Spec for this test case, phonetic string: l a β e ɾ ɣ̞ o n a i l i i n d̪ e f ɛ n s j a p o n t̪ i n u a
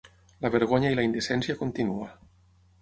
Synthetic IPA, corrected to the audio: l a β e ɾ ɣ̞ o ɲ a i l a i n d̪ e s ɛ n s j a k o n t̪ i n u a